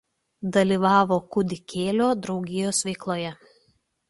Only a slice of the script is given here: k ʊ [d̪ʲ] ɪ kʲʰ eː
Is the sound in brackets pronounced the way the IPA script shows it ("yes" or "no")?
yes